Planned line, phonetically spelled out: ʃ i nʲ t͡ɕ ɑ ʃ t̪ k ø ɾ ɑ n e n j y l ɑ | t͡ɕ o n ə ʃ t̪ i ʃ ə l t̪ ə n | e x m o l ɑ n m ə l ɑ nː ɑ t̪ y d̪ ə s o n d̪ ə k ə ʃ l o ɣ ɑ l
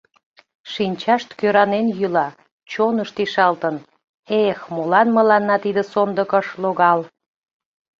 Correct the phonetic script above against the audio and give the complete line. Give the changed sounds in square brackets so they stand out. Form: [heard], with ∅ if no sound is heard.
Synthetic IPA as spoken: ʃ i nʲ t͡ɕ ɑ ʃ t̪ k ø ɾ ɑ n e n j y l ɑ | t͡ɕ o n ə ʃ t̪ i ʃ [ɑ] l t̪ ə n | e x m o l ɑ n m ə l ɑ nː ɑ t̪ [i] d̪ ə s o n d̪ ə k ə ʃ l o ɣ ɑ l